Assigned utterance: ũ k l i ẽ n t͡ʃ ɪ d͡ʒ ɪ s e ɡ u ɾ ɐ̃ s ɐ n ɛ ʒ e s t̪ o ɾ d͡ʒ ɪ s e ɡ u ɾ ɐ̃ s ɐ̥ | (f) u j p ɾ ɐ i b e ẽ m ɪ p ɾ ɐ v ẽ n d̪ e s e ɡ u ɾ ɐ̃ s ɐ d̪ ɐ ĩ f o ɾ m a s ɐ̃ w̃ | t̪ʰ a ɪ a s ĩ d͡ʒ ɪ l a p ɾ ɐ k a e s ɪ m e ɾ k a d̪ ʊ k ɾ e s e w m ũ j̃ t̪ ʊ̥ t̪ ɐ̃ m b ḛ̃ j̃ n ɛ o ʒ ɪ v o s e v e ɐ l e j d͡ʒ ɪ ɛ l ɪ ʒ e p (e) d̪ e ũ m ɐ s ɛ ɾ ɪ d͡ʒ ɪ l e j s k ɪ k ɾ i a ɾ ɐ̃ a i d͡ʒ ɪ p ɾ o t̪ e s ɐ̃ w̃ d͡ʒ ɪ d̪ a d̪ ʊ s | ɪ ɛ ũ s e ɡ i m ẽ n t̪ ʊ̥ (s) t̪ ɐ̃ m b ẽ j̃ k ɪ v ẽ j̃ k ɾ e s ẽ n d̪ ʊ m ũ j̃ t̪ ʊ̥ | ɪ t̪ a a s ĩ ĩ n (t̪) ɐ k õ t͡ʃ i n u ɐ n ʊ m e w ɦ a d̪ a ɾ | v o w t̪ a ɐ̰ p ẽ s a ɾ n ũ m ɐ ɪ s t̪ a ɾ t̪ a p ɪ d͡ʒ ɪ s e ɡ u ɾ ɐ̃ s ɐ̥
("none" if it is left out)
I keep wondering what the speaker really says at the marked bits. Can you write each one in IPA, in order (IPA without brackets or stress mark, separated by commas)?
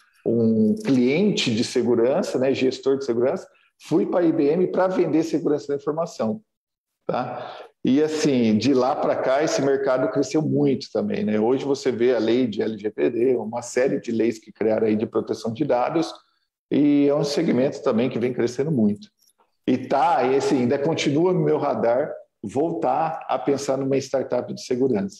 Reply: f, e, s, d̪